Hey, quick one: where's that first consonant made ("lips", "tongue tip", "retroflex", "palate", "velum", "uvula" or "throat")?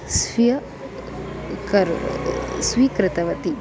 tongue tip